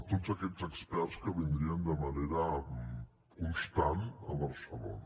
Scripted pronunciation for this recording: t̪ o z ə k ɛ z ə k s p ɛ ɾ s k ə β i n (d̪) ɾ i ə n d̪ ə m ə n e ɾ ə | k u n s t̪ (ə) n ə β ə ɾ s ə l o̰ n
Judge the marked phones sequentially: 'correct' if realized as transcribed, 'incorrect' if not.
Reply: correct, incorrect: a

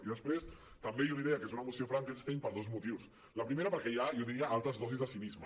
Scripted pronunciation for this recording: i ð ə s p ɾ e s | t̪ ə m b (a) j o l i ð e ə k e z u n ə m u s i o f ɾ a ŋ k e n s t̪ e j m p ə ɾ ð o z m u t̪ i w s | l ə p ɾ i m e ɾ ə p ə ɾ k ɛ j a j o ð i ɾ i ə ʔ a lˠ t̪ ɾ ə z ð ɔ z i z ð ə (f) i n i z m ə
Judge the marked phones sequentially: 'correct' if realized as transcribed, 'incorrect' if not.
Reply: incorrect: e, incorrect: s

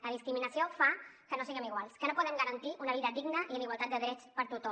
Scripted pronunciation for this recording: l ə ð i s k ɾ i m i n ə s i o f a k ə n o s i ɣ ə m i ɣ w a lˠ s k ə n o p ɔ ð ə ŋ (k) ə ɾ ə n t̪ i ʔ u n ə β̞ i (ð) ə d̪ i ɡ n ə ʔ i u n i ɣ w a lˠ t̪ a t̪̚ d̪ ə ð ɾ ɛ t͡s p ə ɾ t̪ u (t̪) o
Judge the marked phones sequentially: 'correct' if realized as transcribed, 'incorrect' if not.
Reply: incorrect: ɡ, correct, correct

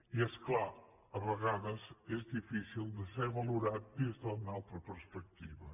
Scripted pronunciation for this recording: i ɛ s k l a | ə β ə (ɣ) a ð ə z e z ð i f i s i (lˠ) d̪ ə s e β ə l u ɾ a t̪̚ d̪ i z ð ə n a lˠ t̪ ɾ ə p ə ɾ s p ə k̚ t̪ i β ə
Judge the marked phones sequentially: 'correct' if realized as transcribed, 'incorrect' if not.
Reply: correct, correct

